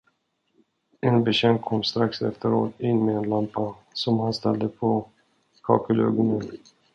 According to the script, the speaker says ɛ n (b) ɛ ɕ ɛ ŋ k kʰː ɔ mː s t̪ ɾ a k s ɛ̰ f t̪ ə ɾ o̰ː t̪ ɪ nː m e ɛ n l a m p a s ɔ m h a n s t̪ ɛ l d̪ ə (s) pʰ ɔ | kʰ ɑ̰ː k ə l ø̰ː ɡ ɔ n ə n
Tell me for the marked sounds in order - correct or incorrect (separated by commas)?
correct, incorrect